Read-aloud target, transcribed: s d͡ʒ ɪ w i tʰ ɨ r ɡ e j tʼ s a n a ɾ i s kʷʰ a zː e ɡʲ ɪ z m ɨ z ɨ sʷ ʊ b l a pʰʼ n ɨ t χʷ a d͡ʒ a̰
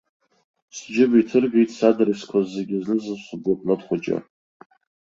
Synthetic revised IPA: s d͡ʒ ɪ b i tʰ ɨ r ɡ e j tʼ s a d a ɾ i s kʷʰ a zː e ɡʲ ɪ z n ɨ z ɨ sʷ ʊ b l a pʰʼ n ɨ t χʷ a d͡ʒ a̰